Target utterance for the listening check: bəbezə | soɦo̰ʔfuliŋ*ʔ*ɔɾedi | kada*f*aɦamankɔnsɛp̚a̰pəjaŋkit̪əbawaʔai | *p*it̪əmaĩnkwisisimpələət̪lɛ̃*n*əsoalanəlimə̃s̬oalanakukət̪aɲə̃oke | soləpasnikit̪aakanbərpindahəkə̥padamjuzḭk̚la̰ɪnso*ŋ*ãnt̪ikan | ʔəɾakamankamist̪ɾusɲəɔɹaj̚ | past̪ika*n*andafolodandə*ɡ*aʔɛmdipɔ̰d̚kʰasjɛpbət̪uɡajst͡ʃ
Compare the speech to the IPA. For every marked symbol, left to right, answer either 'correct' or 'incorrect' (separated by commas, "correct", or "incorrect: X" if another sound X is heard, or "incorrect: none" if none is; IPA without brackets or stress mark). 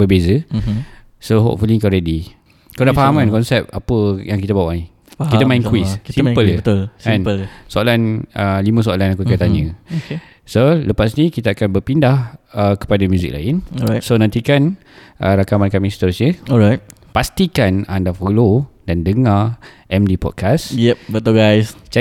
incorrect: k, correct, incorrect: k, correct, incorrect: n, correct, incorrect: ŋ